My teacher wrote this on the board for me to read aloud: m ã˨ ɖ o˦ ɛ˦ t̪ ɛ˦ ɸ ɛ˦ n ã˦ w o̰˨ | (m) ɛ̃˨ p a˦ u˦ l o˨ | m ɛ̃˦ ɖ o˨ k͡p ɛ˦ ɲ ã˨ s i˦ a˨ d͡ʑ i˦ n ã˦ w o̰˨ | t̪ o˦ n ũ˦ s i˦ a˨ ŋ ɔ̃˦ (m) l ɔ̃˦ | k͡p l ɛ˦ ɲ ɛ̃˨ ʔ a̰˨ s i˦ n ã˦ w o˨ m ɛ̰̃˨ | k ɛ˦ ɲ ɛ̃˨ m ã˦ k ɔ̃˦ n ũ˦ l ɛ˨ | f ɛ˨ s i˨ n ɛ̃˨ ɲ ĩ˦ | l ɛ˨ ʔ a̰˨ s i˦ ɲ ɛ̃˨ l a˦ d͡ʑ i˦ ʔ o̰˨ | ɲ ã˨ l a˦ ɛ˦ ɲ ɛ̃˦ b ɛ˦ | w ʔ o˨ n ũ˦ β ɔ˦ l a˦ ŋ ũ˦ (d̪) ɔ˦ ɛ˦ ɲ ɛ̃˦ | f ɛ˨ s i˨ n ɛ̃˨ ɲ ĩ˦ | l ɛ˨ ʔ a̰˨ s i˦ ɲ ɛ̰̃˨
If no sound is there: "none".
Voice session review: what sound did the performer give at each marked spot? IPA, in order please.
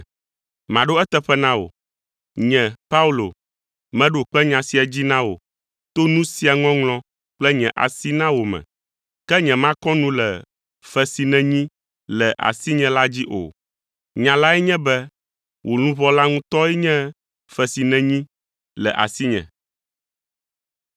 ɲ, ŋ, t̪

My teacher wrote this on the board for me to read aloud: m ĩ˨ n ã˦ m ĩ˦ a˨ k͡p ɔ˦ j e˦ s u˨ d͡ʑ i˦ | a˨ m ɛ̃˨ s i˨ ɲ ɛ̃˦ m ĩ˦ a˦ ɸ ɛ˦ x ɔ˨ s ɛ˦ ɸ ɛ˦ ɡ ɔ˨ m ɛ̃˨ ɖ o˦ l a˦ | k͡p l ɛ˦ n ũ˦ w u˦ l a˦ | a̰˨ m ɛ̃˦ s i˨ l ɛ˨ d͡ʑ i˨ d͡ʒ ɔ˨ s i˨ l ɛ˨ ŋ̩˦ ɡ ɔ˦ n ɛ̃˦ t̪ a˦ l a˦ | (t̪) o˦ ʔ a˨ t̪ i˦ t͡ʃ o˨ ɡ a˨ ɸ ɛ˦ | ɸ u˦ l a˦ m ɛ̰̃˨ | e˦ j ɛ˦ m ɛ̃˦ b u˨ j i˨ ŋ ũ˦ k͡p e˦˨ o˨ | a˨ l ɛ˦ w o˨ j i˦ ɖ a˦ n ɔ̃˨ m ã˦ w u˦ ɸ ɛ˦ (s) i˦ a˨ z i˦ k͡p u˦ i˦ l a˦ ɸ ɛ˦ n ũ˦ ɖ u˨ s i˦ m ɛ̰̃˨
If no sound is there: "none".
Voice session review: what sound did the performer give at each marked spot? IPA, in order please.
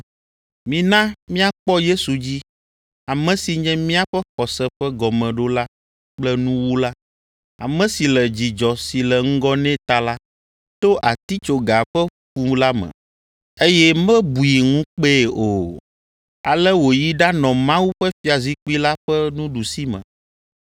t̪, f

